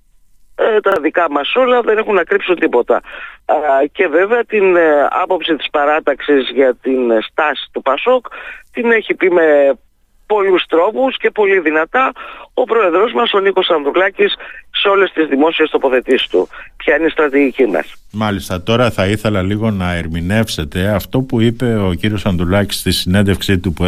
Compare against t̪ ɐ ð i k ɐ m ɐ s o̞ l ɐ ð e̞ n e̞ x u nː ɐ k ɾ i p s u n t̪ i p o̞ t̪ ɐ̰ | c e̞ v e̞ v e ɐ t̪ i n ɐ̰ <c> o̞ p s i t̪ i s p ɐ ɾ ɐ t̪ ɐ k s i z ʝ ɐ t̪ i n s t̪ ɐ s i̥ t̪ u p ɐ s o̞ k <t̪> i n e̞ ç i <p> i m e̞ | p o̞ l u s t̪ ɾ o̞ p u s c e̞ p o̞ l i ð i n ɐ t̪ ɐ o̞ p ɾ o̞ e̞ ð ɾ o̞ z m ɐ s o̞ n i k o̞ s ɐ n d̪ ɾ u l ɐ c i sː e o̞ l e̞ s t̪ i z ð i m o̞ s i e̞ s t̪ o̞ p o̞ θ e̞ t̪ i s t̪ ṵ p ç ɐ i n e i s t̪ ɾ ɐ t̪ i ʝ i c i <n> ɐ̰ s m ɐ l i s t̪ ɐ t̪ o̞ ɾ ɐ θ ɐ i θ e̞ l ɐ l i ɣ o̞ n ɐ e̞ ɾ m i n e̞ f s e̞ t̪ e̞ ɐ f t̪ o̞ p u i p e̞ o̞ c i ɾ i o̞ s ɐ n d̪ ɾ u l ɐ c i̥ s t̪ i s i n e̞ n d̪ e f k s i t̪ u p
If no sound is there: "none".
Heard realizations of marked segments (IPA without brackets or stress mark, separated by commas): p, t̪, p, m